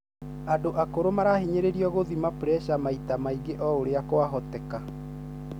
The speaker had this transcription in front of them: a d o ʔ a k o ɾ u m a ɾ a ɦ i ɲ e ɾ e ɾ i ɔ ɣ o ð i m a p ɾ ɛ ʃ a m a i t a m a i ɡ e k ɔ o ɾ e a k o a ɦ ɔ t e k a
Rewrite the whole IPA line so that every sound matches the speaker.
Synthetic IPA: a d o ʔ a k o ɾ o m a ɾ a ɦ i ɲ e ɾ e ɾ i ɔ ɣ o ð i m a p ɾ ɛ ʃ a m a i t a m a i ɡ e ʔ ɔ o ɾ e a k o a ɦ ɔ t ɛ k a